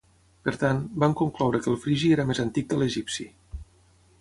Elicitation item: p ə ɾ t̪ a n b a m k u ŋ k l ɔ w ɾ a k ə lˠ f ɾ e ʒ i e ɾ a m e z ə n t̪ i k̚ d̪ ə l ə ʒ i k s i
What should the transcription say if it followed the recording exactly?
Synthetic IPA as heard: p ə ɾ t̪ a n b a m k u ŋ k l ɔ w ɾ ə k ə lˠ f ɾ i ʒ i e ɾ ə m e z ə n t̪ i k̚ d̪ ə l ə ʒ i p s i